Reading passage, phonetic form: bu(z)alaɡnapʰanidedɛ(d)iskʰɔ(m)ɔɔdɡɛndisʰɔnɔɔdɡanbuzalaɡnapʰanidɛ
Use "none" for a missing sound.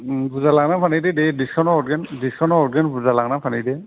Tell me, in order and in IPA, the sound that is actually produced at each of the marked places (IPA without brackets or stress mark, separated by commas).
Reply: z, d, n